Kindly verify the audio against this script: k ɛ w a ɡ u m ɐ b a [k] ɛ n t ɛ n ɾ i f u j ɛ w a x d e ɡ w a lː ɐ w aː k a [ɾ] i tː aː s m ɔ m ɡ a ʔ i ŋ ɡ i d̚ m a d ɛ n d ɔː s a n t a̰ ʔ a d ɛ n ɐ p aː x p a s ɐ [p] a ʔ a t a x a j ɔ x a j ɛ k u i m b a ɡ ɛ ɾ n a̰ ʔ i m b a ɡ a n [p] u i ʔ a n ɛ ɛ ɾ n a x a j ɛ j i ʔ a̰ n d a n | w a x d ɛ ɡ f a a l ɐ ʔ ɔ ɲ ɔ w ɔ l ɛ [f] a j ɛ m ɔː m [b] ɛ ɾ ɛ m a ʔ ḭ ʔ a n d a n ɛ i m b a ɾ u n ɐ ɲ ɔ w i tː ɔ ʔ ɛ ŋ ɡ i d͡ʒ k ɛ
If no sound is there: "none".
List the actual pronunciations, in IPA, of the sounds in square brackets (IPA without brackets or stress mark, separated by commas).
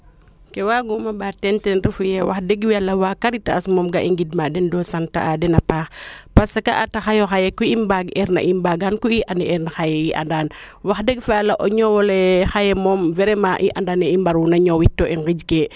t, ɾ, k, k, x, v